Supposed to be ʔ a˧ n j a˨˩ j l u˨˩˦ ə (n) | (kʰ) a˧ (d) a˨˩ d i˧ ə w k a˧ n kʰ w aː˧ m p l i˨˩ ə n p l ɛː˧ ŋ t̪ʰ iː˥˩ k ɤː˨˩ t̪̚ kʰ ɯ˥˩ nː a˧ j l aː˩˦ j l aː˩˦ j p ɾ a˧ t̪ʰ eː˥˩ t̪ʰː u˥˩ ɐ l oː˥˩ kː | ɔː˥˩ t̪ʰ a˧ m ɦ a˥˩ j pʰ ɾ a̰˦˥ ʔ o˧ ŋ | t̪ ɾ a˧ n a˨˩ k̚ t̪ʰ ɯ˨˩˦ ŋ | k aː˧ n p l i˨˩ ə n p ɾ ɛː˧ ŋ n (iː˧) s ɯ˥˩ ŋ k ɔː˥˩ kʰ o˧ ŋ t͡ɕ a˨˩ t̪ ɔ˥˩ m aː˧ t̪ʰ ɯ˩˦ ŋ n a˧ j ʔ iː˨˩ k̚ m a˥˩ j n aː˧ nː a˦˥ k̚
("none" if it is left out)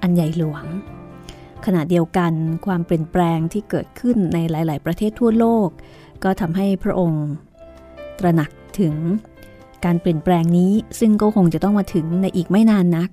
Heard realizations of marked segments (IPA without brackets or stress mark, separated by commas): ŋ, kʰ, n, iː˦˥